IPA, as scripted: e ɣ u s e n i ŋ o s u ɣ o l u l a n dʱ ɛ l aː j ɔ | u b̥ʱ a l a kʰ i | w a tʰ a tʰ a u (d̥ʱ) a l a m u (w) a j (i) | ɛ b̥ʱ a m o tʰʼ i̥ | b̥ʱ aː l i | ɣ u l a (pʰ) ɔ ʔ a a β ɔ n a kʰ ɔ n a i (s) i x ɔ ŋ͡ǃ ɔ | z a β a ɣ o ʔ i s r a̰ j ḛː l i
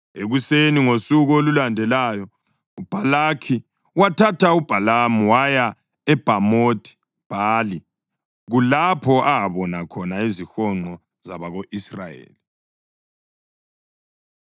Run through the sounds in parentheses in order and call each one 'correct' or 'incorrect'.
incorrect, correct, incorrect, correct, incorrect

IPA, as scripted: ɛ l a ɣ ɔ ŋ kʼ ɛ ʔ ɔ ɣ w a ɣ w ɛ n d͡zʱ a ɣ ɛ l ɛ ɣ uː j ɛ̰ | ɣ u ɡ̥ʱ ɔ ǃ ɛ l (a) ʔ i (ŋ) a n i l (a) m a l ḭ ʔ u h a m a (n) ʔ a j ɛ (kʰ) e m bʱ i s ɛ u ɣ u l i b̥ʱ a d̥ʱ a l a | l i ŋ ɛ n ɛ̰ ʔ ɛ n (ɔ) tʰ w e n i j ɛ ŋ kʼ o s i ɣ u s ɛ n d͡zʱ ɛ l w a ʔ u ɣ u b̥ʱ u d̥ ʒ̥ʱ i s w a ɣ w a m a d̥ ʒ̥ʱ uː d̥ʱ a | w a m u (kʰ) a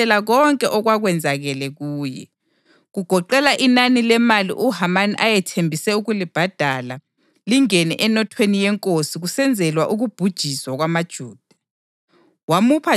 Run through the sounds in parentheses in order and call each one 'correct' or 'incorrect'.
correct, incorrect, incorrect, correct, incorrect, correct, incorrect

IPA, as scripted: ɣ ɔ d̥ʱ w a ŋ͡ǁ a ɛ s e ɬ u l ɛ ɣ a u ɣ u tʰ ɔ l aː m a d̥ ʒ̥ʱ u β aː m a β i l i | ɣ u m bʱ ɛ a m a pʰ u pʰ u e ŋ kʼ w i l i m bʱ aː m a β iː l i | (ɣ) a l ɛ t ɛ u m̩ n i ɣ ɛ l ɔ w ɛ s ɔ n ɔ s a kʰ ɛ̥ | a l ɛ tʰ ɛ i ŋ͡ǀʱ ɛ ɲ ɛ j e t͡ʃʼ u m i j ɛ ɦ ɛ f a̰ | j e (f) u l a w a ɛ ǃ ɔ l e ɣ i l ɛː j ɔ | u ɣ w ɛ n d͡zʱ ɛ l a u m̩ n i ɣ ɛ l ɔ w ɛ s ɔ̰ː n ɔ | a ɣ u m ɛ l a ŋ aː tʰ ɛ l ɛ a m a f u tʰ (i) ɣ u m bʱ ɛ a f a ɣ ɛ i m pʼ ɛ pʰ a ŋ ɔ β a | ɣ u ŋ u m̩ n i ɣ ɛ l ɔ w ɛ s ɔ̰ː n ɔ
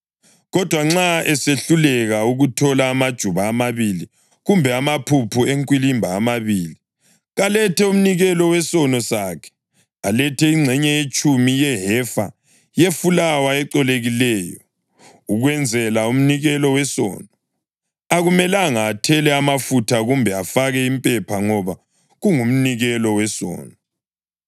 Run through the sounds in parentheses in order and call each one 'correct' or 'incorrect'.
correct, correct, incorrect

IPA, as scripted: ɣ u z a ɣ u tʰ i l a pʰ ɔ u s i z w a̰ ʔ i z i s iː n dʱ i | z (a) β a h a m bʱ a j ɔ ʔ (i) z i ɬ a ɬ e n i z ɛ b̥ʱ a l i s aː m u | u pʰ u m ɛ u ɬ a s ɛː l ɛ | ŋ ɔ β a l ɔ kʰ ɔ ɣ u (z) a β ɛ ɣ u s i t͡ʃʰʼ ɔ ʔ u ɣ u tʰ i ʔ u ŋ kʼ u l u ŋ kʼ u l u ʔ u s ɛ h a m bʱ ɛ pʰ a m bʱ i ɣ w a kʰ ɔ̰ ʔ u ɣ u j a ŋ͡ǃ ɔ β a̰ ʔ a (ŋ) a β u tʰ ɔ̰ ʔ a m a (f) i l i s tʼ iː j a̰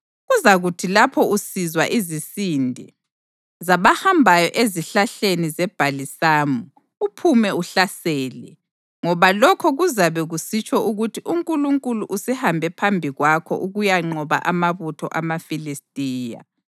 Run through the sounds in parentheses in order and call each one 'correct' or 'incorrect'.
correct, incorrect, correct, incorrect, correct

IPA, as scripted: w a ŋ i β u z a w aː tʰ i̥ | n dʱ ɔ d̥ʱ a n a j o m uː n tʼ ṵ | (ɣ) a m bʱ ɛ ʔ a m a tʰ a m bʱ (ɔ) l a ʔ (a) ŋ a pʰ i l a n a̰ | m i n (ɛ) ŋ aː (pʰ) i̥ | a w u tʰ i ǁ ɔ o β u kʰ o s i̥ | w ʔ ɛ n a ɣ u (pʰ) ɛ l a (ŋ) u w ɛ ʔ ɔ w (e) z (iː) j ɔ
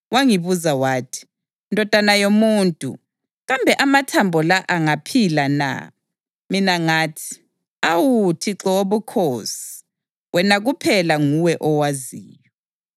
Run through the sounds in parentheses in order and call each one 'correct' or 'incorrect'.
correct, correct, correct, incorrect, incorrect, correct, correct, incorrect, correct

